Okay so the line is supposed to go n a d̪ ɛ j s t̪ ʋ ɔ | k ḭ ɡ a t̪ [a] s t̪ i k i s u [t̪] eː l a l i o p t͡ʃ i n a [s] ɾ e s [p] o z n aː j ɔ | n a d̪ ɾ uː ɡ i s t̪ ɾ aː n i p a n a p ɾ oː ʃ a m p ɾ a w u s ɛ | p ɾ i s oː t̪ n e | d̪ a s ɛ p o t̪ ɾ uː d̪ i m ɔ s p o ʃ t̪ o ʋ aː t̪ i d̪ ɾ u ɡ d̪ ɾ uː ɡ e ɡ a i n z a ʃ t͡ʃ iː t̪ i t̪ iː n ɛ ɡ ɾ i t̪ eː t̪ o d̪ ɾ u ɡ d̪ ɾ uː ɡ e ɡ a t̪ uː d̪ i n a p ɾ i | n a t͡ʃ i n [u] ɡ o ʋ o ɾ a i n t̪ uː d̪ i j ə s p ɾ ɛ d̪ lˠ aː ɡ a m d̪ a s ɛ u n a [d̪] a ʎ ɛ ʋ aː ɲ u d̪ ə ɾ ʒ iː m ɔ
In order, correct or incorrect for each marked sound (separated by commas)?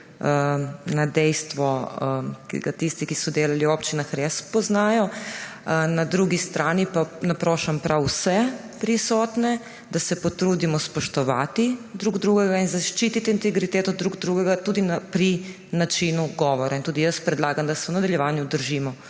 incorrect, incorrect, incorrect, correct, correct, correct